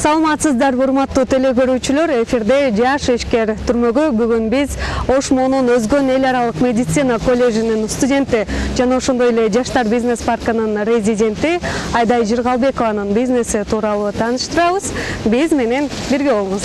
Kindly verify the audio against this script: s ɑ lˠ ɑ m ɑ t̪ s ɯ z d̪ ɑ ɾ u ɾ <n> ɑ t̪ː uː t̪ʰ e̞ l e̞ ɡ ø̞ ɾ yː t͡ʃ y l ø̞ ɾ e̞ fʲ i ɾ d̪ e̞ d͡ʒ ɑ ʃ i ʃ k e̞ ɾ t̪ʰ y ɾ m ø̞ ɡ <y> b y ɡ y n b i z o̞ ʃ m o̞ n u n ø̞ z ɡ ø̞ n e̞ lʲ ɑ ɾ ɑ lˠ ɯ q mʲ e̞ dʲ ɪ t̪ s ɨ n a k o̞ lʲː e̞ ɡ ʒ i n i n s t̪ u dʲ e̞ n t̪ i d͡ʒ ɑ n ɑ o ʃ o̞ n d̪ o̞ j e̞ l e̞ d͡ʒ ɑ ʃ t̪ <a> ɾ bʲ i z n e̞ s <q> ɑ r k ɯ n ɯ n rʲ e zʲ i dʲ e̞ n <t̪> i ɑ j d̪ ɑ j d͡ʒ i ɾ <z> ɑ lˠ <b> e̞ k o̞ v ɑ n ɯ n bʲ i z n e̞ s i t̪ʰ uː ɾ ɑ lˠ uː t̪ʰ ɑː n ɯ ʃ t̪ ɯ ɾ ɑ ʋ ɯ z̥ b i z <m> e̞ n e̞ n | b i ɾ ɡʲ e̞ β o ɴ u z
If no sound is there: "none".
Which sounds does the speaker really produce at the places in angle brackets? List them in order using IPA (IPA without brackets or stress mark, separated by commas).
m, y, ɑ, p, t̪, ʁ, b, m